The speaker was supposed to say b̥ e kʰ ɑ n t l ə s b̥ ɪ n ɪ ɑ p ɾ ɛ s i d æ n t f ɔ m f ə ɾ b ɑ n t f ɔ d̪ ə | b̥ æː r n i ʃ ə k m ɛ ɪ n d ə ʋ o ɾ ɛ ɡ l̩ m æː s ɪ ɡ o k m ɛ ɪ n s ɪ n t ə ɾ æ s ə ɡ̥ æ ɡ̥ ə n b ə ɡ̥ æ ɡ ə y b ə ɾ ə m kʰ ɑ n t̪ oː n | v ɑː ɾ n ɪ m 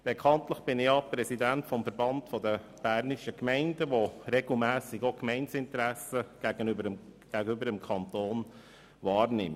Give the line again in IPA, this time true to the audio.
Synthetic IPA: b̥ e kʰ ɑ n t l ə χ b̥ ɪ n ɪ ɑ p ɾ ɛ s i d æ n t f ɔ m f ə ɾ b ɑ n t f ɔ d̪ ə | b̥ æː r n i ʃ ə k m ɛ ɪ n d ə ʋ o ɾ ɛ ɡ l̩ m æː s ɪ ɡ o k m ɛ ɪ n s ɪ n t ə ɾ æ s ə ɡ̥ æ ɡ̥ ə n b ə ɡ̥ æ ɡ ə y b ə ɾ ə m kʰ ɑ n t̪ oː n | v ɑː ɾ n ɪ m

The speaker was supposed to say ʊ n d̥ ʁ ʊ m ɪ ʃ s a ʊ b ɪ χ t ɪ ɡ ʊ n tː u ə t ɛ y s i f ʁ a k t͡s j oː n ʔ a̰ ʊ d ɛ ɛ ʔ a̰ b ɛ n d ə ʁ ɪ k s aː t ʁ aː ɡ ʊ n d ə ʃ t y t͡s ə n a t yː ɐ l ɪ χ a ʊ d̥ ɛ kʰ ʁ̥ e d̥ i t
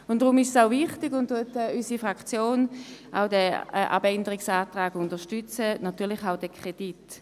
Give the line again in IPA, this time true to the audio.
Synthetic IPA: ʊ n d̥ ʁ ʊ m ɪ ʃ s a ʊ v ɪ χ t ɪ ɡ ʊ n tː u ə t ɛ y s i f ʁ a k t͡s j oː n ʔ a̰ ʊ d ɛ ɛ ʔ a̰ b ɛ n d ə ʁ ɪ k s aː t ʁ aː ɡ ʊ n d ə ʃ t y t͡s ə n a t yː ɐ l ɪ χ a ʊ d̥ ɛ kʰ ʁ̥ e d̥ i t

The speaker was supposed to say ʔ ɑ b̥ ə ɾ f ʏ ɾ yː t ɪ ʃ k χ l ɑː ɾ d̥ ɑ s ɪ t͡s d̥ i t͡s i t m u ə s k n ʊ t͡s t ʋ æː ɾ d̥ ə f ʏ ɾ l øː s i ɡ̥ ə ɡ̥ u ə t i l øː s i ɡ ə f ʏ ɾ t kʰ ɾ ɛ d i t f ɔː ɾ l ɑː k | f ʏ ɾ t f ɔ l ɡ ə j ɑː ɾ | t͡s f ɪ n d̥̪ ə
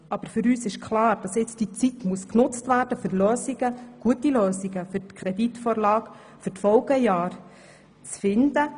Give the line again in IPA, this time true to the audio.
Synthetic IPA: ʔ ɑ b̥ ə ɾ f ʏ ɾ yː s ɪ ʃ k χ l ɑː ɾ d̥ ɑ s ɪ t͡s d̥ i t͡s i t m u ə s k n ʊ t͡s t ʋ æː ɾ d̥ ə f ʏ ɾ l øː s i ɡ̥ ə ɡ̥ u ə t i l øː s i ɡ ə f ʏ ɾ t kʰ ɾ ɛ d i t f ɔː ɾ l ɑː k | f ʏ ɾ t f ɔ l ɡ ə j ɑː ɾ | t͡s f ɪ n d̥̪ ə

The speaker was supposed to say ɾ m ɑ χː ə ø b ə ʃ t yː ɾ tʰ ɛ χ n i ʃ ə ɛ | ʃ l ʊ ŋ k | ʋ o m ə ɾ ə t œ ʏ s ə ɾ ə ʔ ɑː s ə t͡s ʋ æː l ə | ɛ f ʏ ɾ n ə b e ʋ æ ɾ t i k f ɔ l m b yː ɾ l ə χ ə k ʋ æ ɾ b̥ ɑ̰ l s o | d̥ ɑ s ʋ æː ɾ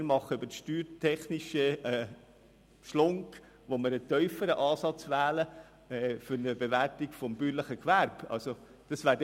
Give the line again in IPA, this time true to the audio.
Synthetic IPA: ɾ m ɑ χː ə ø b ə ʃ t yː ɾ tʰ ɛ χ n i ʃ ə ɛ | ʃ l ʊ ŋ k | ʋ o m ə ɾ ə t œ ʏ f ə ɾ ə ʔ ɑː s ɑ t͡s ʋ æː l ə | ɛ f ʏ ɾ n ə b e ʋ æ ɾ t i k f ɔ m b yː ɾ l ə χ ə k ʋ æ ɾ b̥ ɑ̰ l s o | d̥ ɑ s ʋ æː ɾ

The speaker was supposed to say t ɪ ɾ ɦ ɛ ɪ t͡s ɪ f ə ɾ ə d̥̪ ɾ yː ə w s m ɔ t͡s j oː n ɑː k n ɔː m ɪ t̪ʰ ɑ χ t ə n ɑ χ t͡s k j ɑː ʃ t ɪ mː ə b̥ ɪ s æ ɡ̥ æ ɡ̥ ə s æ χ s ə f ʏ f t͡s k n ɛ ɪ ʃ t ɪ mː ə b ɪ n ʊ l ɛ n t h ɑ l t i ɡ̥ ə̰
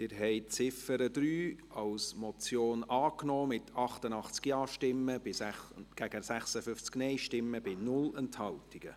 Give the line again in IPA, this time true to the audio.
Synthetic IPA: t ɪ ɾ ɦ ɛ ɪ t͡s ɪ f ə ɾ ə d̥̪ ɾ yː ɑ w s m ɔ t͡s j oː n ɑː k n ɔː m ɪ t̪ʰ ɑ χ t ə n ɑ χ t͡s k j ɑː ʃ t ɪ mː ə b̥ ɪ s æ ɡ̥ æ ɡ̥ ə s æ χ s ə f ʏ f t͡s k n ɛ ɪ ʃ t ɪ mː ə b ɪ n ʊ l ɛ n t h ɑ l t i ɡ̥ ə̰

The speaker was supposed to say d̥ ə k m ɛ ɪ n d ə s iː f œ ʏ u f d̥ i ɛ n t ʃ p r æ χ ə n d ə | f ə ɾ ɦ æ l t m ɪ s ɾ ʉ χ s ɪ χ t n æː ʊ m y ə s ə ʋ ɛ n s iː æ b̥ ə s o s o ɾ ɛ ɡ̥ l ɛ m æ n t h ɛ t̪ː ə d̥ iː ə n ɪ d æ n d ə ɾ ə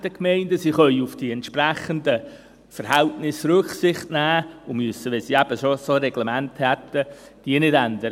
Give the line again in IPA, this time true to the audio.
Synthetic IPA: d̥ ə k m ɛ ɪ n d ə s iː χ œ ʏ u f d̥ i ɛ n t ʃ p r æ χ ə n d ə | f ə ɾ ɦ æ l t n ɪ s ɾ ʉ χ s ɪ χ t n æː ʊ m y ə s ə ʋ ɛ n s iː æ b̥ ə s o s o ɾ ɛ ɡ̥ l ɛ m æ n t h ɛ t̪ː ə d̥ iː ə n ɪ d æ n d ə ɾ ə

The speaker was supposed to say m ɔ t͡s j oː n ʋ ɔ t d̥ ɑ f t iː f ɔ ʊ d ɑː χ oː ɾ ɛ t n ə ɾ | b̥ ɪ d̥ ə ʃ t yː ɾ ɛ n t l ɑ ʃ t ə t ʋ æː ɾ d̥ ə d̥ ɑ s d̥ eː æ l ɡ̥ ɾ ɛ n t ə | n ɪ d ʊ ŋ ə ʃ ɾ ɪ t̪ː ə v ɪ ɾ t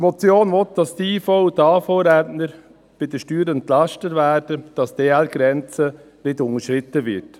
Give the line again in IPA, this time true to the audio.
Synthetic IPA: m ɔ t͡s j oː n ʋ ɔ t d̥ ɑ s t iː f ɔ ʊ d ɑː f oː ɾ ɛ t n ə ɾ | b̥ ɪ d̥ ə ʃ t yː ɾ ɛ n t l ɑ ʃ t ə t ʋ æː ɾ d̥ ə d̥ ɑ s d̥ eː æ l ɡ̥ ɾ ɛ n t͡s ə | n ɪ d ʊ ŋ ə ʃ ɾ ɪ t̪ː ə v ɪ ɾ t

